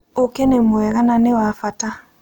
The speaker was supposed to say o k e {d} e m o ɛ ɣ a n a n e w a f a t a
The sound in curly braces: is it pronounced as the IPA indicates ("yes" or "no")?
no